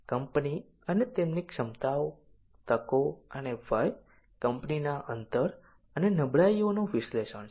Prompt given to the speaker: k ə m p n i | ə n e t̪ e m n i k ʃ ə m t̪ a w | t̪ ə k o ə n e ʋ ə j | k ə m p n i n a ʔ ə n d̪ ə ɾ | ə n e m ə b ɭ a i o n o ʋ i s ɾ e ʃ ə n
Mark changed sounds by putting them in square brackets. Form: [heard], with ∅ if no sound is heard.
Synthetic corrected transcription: k ə m p n i | ə n e t̪ e m n i k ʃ ə m t̪ a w | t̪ ə k o ə n e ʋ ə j | k ə m p n i n a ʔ ə n [t̪] ə ɾ | ə n e [n] ə b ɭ a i o n o ʋ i s [l] e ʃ ə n